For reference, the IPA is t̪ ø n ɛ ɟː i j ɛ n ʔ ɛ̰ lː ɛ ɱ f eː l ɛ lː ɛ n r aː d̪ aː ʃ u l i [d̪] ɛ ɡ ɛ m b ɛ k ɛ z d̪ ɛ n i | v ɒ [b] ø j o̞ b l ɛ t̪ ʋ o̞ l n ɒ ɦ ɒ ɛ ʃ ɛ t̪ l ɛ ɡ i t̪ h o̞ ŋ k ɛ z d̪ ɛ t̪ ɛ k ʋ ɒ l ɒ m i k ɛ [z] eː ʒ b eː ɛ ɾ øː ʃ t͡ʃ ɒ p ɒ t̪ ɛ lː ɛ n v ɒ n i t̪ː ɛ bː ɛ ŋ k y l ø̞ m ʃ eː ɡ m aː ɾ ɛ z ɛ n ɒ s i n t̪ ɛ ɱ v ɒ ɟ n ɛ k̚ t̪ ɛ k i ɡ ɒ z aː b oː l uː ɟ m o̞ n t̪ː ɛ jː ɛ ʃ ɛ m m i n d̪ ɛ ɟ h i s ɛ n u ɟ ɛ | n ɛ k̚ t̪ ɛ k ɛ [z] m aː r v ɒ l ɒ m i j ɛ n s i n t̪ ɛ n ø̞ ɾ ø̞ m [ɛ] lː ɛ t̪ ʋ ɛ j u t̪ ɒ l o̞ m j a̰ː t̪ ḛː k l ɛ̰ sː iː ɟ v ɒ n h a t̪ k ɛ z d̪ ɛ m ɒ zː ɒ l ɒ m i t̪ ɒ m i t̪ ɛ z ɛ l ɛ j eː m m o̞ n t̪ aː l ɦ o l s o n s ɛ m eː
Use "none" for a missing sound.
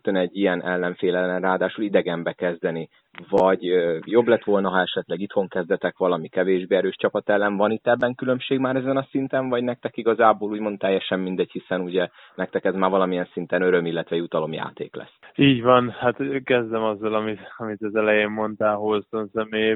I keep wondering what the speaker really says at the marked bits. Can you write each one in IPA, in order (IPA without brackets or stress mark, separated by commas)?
d̪, ɟ, v, z, i